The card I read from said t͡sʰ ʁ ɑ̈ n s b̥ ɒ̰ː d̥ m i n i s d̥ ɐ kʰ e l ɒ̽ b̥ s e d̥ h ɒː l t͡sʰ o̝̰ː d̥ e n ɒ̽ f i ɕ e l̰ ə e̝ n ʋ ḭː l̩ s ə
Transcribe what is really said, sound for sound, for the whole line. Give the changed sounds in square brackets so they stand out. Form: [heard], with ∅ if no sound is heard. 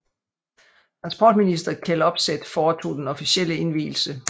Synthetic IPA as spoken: t͡sʰ ʁ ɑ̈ n s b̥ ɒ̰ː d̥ m i n i s d̥ ɐ kʰ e l ɒ̽ b̥ s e d̥ [f] ɒː [∅] t͡sʰ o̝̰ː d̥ e n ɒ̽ f i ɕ e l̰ ə e̝ n ʋ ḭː l̩ s ə